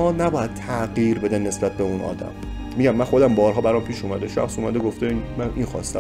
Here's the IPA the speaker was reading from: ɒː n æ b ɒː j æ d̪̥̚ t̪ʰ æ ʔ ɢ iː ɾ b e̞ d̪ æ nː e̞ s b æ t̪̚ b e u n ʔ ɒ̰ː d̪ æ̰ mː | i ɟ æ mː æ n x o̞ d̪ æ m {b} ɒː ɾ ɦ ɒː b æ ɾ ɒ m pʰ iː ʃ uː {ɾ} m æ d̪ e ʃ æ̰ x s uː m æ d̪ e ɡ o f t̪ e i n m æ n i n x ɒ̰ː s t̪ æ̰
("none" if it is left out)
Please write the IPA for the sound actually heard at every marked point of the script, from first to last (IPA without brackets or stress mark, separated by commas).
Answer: b, none